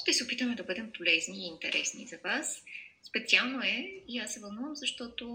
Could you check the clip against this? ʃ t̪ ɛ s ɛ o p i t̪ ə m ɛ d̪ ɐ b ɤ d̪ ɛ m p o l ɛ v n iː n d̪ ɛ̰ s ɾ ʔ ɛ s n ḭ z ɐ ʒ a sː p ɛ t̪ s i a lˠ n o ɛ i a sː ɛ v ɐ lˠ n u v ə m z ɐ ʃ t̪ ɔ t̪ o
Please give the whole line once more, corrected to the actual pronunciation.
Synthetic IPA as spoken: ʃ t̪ ɛ s ɛ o p i t̪ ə m ɛ d̪ ɐ b ɤ d̪ ɛ m p o l ɛ z n iː n t̪ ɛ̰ ɾ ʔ ɛ s n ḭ z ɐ v a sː p ɛ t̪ s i a lˠ n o ɛ i a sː ɛ v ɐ lˠ n u v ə m z ɐ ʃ t̪ ɔ t̪ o